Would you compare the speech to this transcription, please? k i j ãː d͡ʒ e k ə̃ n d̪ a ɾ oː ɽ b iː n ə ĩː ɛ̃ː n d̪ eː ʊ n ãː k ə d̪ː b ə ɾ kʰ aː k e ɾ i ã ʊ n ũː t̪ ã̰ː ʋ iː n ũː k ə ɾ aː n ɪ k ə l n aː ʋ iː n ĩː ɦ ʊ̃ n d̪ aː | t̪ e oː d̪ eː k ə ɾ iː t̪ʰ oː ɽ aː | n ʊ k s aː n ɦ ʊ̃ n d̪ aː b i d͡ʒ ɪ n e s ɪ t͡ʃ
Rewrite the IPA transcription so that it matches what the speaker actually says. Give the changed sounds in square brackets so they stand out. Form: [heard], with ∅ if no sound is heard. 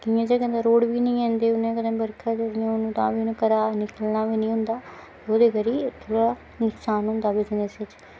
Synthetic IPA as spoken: k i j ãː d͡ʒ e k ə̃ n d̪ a ɾ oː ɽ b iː n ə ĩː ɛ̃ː n d̪ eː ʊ n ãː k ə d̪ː b ə ɾ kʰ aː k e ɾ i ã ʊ n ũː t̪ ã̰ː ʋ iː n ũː k ə ɾ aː n ɪ k ə l n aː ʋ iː n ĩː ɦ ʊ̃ n d̪ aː | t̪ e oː d̪ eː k ə ɾ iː t̪ʰ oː ɽ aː | n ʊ k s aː n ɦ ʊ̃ n d̪ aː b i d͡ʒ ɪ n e s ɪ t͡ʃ